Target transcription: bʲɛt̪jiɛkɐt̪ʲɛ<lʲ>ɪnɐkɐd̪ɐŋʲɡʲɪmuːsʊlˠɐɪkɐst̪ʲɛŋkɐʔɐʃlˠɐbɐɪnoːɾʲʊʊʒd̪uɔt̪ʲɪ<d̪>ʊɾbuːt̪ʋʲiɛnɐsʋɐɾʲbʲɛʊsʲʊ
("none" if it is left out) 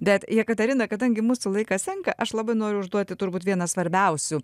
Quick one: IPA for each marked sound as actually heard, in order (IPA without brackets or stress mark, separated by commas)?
ɾʲ, t̪